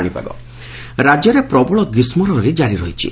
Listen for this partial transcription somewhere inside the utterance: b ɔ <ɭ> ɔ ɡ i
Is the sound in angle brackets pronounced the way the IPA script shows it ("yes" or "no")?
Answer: yes